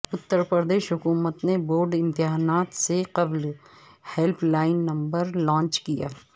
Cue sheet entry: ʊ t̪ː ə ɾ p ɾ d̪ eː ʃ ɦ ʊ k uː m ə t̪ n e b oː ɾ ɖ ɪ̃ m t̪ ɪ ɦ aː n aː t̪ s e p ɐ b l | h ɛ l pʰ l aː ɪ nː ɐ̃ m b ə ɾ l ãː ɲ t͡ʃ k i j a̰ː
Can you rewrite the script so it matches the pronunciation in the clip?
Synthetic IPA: ʊ t̪ː ə ɾ p ɾ d̪ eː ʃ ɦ ʊ k uː m ə t̪ n e b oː ɾ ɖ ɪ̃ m t̪ ɪ ɦ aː n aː t̪ s e q ɐ b l | h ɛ l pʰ l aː ɪ nː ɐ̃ m b ə ɾ l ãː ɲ t͡ʃ k i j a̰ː